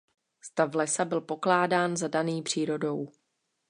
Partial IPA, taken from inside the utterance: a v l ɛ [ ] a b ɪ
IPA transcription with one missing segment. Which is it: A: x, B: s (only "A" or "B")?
B